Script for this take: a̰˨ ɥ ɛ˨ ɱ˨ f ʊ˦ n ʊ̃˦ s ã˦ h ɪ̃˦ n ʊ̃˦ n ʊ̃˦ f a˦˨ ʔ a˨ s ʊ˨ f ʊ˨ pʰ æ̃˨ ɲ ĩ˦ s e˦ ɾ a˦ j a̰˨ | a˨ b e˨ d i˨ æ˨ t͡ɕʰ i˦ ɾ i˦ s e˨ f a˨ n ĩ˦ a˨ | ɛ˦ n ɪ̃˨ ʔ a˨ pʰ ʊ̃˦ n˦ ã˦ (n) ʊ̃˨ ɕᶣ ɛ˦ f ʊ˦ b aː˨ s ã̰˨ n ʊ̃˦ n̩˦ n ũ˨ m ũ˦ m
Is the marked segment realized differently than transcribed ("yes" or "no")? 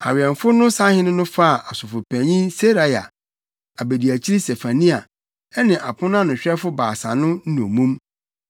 no